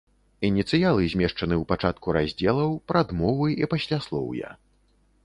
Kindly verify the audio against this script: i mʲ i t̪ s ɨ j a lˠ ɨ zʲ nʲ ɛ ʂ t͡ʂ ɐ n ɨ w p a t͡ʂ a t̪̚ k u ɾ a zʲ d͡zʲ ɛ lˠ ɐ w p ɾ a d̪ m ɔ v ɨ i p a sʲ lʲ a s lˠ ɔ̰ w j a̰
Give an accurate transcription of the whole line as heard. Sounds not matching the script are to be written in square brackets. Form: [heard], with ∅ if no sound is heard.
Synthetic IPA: i [nʲ] i t̪ s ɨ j a lˠ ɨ zʲ [mʲ] ɛ ʂ t͡ʂ ɐ n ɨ w p a t͡ʂ a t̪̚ k u ɾ a zʲ d͡zʲ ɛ lˠ ɐ w p ɾ a d̪ m ɔ v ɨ i p a sʲ lʲ a s lˠ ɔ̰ w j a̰